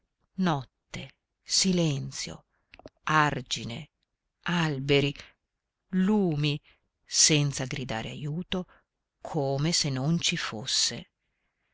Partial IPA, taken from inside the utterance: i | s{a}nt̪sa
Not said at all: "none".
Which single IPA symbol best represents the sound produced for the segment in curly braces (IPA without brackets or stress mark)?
ɛ